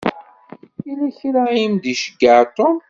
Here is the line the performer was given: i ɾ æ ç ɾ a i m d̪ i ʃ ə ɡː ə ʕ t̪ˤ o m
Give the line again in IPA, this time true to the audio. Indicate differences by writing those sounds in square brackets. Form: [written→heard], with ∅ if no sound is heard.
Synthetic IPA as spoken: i [ɾ→l] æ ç ɾ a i m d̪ i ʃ ə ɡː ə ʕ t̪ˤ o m